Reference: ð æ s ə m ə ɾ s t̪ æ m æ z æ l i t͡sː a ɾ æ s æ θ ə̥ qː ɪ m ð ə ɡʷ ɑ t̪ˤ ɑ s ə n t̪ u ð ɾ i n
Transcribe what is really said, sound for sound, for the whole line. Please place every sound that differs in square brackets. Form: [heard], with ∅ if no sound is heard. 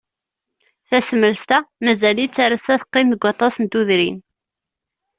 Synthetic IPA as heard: [θ] æ s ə m ə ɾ s t̪ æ m æ z æ l i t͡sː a ɾ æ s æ θ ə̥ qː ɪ m ð ə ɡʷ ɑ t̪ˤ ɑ s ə n t̪ u ð ɾ i n